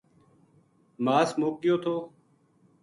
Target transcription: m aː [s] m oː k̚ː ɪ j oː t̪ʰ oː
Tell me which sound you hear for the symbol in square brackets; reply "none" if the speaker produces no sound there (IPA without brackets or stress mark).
s